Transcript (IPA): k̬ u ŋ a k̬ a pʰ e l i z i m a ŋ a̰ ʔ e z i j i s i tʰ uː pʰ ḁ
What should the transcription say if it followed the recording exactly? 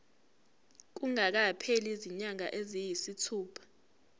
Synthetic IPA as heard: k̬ u ŋ a k̬ a pʰ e l i z i ɲ a ŋ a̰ ʔ e z i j i s i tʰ uː pʰ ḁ